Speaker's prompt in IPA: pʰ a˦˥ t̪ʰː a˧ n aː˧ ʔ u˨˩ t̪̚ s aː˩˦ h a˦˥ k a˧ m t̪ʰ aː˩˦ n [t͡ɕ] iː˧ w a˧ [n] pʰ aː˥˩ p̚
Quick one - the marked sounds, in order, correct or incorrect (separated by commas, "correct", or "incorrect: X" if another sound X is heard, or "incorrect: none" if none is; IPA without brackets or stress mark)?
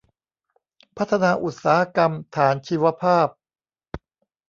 incorrect: t͡ɕʰ, incorrect: none